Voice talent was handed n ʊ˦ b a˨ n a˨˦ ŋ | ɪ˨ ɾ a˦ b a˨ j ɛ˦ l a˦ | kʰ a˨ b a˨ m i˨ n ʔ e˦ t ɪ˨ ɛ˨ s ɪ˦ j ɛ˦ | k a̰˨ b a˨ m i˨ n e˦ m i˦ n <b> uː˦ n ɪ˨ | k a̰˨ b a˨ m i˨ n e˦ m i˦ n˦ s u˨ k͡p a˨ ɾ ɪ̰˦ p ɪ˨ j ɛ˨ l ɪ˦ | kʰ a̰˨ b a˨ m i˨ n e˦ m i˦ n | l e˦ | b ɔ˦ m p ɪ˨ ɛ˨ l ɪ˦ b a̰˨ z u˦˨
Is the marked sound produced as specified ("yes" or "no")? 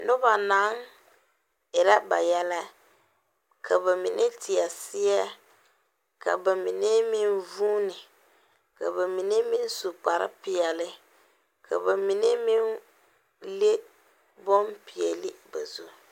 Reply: no